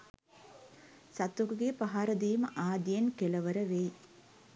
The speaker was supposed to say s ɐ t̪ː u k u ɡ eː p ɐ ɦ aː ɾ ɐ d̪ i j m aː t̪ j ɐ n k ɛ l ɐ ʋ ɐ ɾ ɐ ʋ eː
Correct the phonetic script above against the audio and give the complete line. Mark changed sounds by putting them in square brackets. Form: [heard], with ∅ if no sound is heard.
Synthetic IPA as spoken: s ɐ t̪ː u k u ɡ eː p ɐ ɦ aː ɾ ɐ d̪ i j m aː [d̪] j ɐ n k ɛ l ɐ ʋ ɐ ɾ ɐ ʋ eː